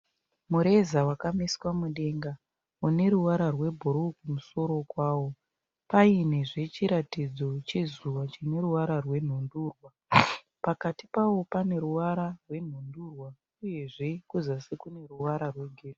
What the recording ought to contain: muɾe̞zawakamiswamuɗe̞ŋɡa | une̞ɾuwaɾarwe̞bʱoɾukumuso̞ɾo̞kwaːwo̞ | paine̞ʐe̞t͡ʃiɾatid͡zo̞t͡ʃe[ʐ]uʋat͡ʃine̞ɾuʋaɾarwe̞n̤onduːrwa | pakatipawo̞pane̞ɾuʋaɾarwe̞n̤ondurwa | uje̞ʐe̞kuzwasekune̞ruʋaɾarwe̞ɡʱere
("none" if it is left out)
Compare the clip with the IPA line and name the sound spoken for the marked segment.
z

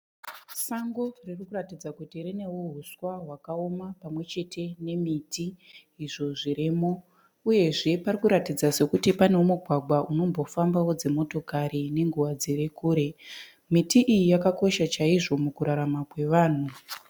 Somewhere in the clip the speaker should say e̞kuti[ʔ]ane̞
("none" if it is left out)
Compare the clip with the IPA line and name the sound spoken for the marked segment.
p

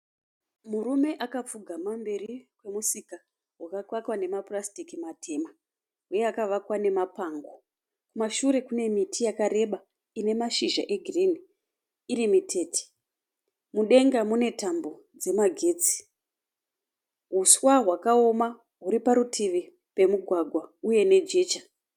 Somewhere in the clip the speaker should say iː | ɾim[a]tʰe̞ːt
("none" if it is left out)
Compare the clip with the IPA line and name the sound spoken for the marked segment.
i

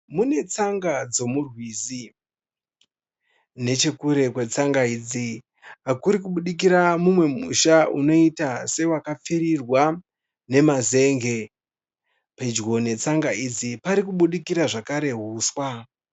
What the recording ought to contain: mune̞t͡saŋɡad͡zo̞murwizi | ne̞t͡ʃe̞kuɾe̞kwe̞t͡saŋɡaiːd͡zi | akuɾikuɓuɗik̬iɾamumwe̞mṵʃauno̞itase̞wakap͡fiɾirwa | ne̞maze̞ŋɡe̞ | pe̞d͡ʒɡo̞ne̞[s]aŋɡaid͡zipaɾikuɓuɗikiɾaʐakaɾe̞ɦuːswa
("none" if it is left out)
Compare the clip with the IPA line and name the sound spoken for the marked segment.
t͡s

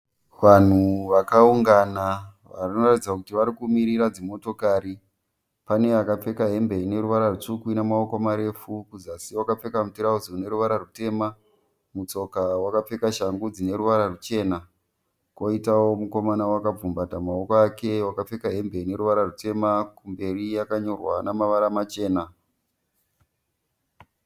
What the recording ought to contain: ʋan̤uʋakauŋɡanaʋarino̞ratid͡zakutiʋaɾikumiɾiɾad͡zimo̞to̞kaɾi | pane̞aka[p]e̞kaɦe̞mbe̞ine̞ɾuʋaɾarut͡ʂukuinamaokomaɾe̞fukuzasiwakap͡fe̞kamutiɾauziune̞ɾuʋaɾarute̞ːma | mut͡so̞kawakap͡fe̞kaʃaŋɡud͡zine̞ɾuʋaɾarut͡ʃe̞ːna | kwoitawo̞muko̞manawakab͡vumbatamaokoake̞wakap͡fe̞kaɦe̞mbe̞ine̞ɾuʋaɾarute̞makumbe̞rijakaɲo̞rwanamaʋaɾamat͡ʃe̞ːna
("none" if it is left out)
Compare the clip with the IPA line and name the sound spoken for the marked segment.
p͡f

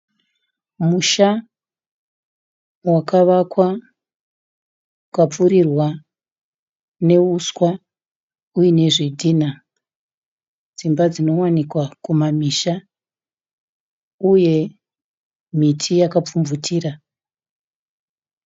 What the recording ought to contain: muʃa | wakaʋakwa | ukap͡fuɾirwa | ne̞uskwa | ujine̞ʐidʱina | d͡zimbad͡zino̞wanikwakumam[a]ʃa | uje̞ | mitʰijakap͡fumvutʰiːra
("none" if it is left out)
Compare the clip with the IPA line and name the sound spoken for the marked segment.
i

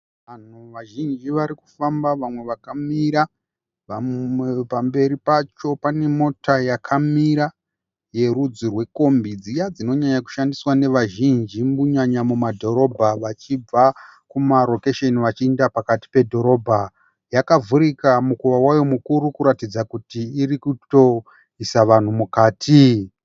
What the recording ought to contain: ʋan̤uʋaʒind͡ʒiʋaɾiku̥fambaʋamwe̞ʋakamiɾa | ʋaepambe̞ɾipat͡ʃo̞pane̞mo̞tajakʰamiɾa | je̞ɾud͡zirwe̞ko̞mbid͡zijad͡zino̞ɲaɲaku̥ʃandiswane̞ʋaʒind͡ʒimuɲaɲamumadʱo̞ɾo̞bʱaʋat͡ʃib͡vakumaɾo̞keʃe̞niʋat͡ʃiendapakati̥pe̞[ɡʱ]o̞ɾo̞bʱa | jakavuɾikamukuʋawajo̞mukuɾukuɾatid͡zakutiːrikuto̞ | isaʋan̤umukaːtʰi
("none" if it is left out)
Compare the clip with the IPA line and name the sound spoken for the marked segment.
dʱ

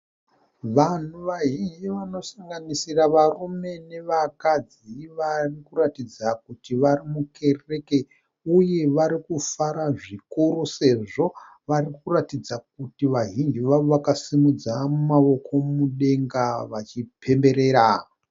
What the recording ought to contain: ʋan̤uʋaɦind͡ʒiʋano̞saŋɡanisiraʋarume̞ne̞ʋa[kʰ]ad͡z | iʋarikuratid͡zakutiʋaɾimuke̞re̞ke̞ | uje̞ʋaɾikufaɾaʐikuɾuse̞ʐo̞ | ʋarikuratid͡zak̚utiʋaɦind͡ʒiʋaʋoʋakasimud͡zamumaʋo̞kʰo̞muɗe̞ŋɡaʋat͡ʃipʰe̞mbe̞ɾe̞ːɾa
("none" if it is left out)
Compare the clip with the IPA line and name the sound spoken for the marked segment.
k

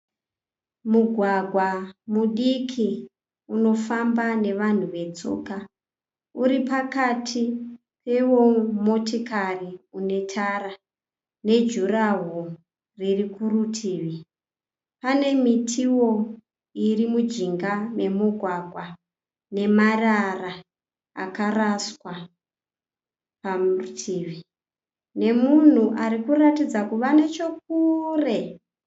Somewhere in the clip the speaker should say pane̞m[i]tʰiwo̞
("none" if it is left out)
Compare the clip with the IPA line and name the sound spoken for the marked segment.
i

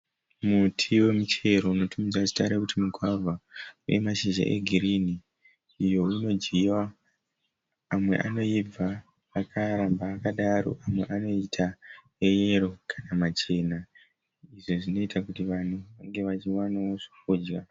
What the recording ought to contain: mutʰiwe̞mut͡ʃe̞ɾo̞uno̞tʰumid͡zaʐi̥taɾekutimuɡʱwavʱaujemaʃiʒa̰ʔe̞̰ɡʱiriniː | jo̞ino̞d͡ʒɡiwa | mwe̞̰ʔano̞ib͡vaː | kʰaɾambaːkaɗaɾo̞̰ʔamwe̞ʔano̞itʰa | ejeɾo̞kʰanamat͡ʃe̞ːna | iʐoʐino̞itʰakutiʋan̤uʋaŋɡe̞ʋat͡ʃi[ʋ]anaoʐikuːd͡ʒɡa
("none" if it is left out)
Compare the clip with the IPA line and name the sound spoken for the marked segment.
w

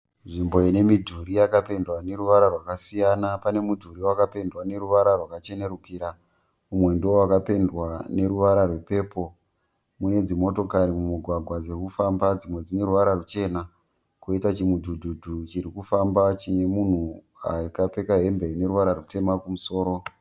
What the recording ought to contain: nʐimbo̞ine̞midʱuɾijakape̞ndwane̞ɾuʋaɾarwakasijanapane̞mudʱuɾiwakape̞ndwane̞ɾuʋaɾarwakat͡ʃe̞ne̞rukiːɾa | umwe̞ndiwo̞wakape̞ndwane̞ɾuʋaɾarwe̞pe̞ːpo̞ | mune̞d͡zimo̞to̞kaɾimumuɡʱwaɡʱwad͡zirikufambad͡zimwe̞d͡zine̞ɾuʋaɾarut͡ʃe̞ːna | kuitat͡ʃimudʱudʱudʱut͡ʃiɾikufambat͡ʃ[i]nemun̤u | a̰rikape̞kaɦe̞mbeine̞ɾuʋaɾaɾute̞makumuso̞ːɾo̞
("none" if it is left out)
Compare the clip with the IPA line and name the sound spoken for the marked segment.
i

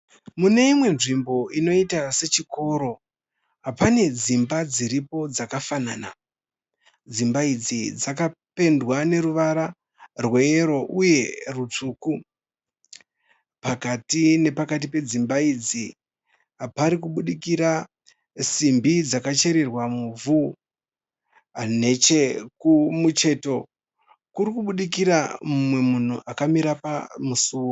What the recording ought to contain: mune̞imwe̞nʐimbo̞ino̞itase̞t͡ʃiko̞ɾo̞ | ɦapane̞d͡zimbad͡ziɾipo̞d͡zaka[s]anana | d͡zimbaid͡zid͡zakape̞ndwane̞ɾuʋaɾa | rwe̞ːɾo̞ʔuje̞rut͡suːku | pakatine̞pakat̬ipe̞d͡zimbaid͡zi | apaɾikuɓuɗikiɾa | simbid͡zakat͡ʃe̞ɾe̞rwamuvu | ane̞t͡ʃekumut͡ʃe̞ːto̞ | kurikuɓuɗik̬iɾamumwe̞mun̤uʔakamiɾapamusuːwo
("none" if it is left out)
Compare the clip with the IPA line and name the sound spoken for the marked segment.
f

